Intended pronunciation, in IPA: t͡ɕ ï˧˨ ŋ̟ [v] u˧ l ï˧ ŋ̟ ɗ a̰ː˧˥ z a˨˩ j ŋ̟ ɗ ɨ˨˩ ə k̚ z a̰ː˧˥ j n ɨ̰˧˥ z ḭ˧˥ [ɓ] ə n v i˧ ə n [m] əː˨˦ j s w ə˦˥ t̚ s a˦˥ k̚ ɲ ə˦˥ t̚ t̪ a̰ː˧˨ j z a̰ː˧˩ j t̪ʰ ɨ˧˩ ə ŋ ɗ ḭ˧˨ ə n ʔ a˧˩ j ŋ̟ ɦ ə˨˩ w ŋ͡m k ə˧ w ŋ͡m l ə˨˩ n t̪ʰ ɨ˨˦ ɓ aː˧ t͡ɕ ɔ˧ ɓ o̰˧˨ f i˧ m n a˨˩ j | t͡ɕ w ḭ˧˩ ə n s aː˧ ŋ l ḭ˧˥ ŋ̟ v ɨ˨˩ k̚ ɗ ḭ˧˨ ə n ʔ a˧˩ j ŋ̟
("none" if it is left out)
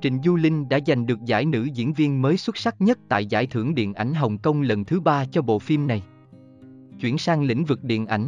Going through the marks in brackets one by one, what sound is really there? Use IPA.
z, none, m

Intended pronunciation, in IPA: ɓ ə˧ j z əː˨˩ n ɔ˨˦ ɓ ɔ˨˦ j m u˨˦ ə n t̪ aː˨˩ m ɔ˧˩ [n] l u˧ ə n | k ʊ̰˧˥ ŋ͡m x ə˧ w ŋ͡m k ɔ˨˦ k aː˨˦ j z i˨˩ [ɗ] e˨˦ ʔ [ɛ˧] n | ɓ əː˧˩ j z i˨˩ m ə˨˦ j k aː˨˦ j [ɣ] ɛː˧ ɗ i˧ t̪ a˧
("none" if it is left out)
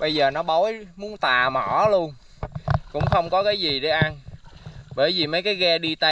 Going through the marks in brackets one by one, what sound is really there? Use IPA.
none, ɗ, a˧, ɣ

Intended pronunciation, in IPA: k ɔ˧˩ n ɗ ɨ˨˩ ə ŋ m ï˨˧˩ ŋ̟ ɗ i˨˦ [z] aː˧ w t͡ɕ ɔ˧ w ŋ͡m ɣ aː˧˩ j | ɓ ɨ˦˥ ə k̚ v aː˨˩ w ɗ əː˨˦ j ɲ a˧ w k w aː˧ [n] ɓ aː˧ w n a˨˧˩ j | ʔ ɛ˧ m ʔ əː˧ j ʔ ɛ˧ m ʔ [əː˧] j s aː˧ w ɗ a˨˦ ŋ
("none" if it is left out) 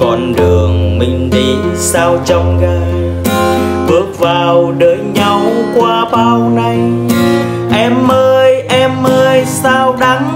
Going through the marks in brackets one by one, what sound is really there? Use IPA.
s, none, əː˧

